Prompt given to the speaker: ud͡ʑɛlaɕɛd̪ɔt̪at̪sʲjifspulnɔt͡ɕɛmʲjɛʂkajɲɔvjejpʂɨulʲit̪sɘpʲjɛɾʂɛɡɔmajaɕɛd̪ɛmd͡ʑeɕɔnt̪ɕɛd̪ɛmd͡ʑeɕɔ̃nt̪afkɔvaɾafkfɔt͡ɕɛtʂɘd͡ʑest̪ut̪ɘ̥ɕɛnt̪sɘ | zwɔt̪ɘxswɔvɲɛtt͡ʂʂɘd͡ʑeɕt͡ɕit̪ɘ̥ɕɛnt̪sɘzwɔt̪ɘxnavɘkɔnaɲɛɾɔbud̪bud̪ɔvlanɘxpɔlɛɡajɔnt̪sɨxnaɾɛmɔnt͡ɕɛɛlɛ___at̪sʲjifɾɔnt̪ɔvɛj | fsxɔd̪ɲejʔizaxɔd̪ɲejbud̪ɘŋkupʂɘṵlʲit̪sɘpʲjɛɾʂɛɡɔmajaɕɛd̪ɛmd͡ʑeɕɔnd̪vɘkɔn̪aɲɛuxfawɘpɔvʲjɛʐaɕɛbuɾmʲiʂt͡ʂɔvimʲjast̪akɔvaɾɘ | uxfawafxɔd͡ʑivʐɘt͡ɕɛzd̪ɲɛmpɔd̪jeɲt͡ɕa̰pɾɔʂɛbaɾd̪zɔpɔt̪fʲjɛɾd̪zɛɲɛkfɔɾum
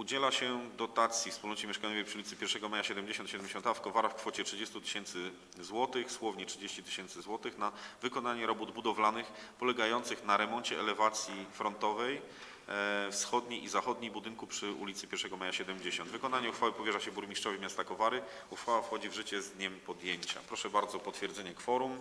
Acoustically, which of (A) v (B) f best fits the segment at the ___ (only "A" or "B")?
A